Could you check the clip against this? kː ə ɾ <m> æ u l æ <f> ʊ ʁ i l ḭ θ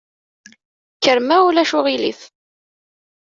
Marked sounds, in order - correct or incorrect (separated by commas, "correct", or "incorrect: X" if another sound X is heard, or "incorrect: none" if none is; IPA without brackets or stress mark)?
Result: correct, incorrect: ʃ